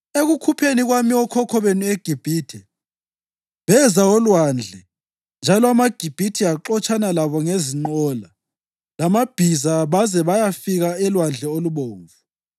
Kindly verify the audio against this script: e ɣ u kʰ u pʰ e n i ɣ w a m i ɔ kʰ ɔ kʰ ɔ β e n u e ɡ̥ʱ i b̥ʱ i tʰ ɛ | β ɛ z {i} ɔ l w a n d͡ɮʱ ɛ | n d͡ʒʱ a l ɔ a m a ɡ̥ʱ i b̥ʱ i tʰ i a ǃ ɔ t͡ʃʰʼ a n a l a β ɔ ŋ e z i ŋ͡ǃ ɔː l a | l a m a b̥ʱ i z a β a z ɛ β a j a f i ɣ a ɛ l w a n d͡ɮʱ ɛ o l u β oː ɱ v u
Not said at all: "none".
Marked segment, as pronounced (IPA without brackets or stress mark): a